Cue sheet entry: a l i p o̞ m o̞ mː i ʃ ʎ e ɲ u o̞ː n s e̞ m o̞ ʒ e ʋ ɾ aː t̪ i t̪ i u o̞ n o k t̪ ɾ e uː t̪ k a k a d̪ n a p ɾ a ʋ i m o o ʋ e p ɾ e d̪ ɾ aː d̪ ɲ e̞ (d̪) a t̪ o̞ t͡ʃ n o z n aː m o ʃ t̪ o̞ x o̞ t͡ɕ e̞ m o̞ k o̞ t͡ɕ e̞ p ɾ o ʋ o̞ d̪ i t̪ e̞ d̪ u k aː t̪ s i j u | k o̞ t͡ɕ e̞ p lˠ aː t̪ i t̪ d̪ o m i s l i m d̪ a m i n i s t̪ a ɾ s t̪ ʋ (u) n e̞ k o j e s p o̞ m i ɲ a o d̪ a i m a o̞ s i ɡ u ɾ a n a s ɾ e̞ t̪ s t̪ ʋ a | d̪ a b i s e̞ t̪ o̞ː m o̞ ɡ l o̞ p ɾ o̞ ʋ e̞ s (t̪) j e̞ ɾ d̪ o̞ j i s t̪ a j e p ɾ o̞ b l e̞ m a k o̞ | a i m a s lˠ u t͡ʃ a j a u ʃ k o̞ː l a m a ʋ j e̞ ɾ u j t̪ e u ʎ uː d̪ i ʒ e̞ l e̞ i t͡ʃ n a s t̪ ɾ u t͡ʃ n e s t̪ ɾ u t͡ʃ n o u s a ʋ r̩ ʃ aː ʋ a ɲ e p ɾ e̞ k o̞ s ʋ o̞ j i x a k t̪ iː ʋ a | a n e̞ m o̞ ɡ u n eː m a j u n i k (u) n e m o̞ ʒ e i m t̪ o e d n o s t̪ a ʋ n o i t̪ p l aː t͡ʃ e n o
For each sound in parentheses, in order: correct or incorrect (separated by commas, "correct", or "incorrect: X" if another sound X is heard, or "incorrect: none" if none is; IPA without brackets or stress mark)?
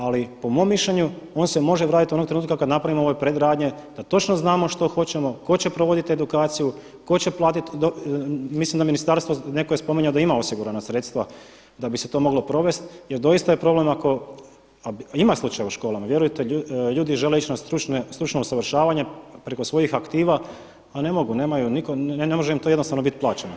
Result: correct, incorrect: o, correct, incorrect: o